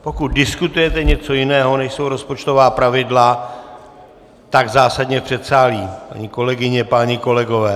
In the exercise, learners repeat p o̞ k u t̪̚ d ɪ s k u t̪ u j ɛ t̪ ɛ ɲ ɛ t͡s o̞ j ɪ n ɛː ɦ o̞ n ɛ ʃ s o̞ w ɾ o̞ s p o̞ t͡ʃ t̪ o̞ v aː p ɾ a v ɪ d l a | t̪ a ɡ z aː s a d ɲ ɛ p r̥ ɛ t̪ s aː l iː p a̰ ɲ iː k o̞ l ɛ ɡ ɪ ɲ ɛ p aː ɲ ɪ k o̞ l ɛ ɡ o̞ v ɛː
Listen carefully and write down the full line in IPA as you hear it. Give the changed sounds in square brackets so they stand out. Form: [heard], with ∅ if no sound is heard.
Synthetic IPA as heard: p o̞ k u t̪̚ d ɪ s k u t̪ u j ɛ t̪ ɛ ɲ ɛ t͡s o̞ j ɪ n ɛː ɦ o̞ n ɛ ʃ s o̞ w ɾ o̞ s p o̞ t͡ʃ t̪ o̞ v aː p ɾ a v ɪ d l a | t̪ a ɡ z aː s a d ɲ ɛ p r̥ ɛ t̪ s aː l iː p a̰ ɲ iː k o̞ l ɛ ɡ ɪ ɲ ɛ p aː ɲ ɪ k o̞ l ɛ ɡ o̞ v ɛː